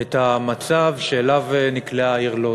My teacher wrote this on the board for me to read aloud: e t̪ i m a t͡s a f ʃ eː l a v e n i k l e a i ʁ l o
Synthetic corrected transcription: e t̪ a m a t͡s a v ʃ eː l a v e n i k l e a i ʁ l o